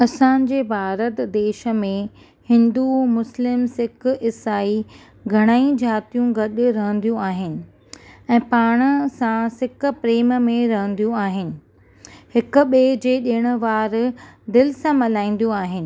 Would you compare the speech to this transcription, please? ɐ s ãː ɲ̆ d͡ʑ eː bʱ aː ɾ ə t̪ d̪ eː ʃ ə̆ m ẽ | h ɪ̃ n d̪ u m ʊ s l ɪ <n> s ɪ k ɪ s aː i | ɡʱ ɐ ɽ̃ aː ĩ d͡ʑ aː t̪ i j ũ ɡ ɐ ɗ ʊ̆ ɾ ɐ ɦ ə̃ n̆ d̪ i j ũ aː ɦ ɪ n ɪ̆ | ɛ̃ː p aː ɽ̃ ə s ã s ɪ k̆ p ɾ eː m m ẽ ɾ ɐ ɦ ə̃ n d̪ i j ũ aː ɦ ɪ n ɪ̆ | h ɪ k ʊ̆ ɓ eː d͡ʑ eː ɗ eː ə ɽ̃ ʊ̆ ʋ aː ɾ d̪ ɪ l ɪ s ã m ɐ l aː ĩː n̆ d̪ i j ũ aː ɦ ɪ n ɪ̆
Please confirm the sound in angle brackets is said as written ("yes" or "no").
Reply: no